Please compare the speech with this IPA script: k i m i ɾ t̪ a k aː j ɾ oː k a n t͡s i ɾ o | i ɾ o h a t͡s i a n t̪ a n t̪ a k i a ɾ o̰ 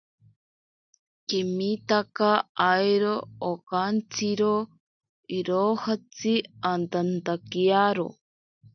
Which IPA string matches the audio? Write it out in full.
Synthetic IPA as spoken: k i m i t̪ a k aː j ɾ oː k a n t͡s i ɾ o | i ɾ o h a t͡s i a n t̪ a n t̪ a k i a ɾ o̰